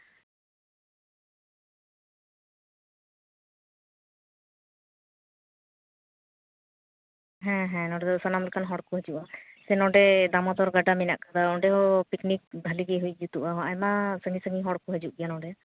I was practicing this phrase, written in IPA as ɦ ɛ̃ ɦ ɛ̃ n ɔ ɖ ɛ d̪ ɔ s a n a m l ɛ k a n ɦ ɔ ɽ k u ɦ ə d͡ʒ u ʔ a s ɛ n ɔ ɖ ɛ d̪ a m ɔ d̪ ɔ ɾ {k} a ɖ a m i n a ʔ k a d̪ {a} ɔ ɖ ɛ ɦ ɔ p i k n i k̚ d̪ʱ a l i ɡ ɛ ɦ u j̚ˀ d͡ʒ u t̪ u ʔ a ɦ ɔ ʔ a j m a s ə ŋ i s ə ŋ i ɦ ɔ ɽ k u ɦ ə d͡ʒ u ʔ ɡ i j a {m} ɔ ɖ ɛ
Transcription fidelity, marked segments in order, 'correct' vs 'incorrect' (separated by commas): incorrect, correct, incorrect